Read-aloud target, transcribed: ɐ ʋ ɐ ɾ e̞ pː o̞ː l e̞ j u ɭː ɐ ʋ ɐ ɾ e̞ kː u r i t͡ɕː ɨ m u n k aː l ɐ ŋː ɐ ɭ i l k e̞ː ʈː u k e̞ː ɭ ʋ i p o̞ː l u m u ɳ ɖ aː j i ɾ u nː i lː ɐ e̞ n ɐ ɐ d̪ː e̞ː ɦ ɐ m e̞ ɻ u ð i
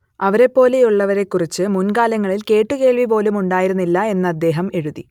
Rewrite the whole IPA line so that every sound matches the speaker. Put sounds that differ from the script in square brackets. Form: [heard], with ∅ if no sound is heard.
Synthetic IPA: ɐ ʋ ɐ ɾ e̞ pː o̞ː l e̞ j u ɭː ɐ ʋ ɐ ɾ e̞ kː u r i t͡ɕː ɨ m u n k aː l ɐ ŋː ɐ ɭ i l k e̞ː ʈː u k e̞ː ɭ ʋ i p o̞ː l u m u ɳ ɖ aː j i ɾ u nː i lː ɐ e̞ [nː] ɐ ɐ d̪ː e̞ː ɦ ɐ m e̞ ɻ u ð i